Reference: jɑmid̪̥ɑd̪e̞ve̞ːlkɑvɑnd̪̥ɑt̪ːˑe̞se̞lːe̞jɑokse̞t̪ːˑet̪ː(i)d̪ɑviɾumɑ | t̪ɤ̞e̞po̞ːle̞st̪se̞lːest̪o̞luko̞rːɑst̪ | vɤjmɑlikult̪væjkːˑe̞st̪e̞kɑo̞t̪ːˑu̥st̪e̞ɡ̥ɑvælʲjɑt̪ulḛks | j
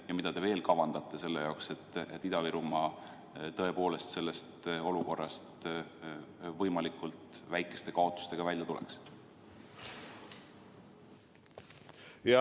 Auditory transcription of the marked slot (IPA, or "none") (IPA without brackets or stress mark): i